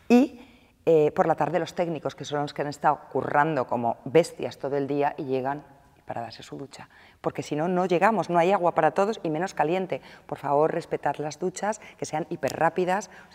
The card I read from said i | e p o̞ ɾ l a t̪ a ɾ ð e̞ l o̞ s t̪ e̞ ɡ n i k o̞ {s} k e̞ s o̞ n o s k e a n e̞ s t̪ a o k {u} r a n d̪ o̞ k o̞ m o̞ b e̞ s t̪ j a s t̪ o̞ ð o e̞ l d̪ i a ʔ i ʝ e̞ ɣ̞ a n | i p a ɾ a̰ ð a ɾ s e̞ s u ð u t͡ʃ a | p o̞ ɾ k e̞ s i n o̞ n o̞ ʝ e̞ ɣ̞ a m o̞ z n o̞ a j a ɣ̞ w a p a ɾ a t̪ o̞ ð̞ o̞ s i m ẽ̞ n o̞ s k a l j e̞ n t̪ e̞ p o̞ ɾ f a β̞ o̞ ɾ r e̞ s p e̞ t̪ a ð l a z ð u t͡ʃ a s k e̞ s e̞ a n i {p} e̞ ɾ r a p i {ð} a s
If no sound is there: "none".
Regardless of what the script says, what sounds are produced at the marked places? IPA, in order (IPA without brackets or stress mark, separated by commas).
s, u, p, ð